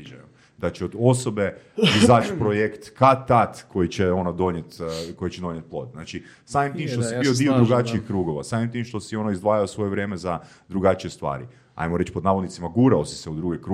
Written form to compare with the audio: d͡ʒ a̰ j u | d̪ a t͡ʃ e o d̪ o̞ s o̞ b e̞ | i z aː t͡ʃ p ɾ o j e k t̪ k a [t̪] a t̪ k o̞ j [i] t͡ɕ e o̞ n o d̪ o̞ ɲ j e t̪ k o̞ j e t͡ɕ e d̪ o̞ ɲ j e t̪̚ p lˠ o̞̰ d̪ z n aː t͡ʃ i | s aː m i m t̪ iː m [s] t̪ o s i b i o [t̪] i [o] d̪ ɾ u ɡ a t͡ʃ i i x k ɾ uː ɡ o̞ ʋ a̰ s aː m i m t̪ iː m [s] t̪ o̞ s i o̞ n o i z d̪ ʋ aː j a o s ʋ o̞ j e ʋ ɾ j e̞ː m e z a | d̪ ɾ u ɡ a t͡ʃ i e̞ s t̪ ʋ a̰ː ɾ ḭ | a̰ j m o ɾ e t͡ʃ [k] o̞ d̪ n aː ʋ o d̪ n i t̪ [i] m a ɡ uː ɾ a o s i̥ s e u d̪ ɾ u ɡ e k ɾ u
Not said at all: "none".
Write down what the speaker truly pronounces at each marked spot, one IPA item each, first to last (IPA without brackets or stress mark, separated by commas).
t̪, i, ʃ, d̪, o, ʃ, p, i